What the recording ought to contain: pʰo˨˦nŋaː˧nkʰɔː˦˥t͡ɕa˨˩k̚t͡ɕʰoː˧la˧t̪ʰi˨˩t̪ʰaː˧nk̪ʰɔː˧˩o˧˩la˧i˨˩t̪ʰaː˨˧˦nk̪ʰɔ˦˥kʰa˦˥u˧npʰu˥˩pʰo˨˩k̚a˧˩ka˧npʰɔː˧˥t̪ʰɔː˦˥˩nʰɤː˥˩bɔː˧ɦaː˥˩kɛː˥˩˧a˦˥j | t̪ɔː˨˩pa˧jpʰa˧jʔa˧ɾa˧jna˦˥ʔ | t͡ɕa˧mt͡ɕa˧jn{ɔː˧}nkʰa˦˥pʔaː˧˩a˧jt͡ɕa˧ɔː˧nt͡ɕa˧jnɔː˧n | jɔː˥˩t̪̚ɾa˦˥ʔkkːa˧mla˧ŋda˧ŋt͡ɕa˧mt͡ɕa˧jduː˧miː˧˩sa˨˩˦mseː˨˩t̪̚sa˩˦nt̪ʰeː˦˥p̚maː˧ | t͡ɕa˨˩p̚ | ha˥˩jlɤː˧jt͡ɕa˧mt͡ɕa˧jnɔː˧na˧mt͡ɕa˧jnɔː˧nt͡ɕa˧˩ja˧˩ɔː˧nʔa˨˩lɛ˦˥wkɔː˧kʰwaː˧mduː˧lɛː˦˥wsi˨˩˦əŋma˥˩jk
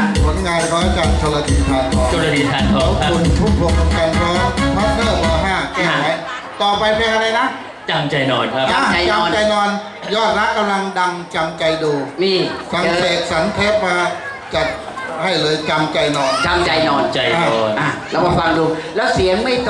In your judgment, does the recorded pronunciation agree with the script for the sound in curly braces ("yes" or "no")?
yes